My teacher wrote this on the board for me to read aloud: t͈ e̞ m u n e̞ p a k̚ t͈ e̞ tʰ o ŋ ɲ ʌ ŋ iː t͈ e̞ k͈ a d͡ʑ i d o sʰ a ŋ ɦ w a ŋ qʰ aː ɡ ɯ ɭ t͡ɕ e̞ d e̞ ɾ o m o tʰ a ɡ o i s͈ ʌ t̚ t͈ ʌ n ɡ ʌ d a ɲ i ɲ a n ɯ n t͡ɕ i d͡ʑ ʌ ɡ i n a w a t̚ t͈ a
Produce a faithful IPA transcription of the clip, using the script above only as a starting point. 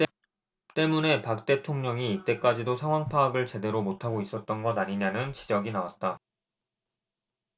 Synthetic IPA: t͈ e̞ m u n e̞ p a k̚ t͈ e̞ tʰ o ŋ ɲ ʌ ŋ iː t͈ e̞ k͈ a d͡ʑ i d o sʰ a ŋ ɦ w a ŋ pʰ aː ɡ ɯ ɭ t͡ɕ e̞ d e̞ ɾ o m o tʰ a ɡ o i s͈ ʌ t̚ t͈ ʌ n ɡ ʌ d a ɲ i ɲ a n ɯ n t͡ɕ i d͡ʑ ʌ ɡ i n a w a t̚ t͈ a

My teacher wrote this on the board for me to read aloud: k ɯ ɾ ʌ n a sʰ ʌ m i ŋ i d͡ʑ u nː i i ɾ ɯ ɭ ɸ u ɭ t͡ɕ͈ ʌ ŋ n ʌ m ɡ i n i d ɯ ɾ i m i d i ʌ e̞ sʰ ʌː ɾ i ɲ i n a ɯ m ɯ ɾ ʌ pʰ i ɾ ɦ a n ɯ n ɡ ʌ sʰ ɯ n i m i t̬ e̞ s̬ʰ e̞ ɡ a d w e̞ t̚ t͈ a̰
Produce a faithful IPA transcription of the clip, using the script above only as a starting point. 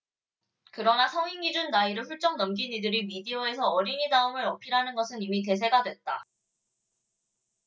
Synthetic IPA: k ɯ ɾ ʌ n a sʰ ʌ ŋ i ŋ i d͡ʑ u nː a i ɾ ɯ ɭ ɸ u ɭ t͡ɕ͈ ʌ ŋ n ʌ m ɡ i n i d ɯ ɾ i m i d i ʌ e̞ sʰ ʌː ɾ i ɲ i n a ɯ m ɯ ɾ ʌ pʰ i ɾ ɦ a n ɯ n ɡ ʌ sʰ ɯ n i m i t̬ e̞ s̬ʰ e̞ ɡ a d w e̞ t̚ t͈ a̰

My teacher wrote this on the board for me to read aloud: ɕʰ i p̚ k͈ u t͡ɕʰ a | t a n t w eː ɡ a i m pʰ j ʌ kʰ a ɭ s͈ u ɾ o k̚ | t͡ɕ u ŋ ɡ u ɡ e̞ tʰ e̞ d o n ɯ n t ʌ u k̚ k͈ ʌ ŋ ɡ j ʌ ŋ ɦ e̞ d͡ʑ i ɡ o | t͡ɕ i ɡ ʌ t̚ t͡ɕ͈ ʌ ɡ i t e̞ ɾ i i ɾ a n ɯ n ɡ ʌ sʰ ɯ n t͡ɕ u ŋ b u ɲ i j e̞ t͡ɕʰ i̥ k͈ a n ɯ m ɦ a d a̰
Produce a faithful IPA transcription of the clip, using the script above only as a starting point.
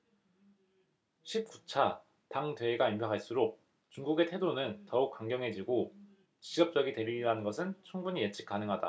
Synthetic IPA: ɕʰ i p̚ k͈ u t͡ɕʰ a | t a ŋ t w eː ɡ a i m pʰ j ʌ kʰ a ɭ s͈ u ɾ o k̚ | t͡ɕ u ŋ ɡ u ɡ e̞ tʰ e̞ d o n ɯ n t ʌ u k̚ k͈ a ŋ ɡ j ʌ ŋ ɦ e̞ d͡ʑ i ɡ o | t͡ɕ i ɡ ʌ p̚ t͡ɕ͈ ʌ ɡ i t e̞ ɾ i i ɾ a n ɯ n ɡ ʌ sʰ ɯ n t͡ɕʰ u ŋ b u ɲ i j e̞ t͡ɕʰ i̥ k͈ a n ɯ ŋ ɦ a d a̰

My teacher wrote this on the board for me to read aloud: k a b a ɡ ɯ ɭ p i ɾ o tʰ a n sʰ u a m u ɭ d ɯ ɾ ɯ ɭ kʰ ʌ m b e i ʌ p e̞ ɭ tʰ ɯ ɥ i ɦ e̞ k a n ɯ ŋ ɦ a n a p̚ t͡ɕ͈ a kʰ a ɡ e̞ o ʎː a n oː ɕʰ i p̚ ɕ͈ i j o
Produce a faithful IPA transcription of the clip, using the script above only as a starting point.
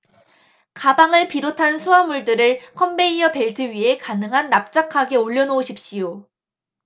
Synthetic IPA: k a b a ŋ ɯ ɭ p i ɾ o tʰ a n sʰ u a m u ɭ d ɯ ɾ ɯ ɭ kʰ ʌ m b e i ʌ p e̞ ɭ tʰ ɯ ɥ i ɦ e̞ k a n ɯ ŋ ɦ a nː a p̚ t͡ɕ͈ a kʰ a ɡ e̞ o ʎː ʌ n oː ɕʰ i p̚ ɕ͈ i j o

